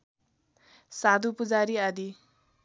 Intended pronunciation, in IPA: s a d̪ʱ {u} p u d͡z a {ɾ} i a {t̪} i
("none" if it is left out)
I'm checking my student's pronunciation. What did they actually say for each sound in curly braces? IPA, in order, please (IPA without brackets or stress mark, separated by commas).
u, ɾ, d̪